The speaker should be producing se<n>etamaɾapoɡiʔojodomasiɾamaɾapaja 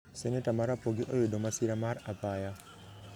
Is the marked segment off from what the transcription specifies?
no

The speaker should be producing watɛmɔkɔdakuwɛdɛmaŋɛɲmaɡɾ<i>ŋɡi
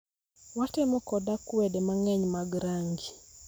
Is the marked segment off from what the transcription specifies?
yes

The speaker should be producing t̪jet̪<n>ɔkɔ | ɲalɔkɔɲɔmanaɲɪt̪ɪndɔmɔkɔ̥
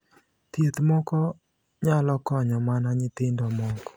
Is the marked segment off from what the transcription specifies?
yes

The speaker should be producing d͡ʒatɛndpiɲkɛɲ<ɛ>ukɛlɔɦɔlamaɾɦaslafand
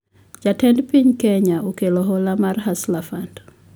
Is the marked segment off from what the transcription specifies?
yes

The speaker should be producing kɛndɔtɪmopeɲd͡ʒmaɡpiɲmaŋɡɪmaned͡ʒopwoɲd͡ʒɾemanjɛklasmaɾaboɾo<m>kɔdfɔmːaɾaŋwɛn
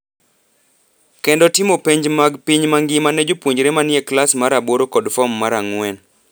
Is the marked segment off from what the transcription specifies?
yes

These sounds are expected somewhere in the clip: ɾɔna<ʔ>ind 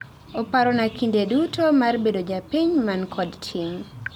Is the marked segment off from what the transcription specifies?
yes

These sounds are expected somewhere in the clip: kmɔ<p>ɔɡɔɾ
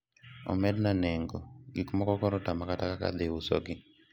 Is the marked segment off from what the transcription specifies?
yes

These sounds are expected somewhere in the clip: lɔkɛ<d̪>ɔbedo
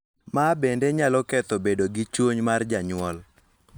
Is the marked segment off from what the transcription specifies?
yes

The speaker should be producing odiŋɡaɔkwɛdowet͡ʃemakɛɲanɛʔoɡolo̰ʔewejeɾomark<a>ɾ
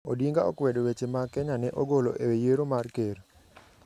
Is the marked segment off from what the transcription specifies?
yes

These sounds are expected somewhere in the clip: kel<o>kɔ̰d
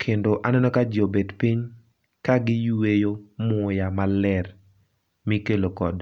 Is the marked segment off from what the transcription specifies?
no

